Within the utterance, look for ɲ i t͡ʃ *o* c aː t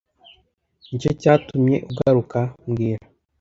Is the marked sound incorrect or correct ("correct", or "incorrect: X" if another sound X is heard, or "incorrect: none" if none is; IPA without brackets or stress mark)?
correct